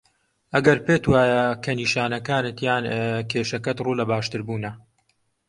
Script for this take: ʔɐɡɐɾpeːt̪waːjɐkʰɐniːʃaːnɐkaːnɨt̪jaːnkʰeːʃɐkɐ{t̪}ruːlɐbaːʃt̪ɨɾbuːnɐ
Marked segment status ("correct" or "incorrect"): correct